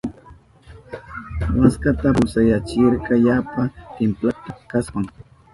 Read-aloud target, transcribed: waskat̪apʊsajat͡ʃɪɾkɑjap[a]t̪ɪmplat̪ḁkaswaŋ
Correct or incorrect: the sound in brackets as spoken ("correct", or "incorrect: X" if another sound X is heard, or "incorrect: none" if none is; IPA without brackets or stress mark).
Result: correct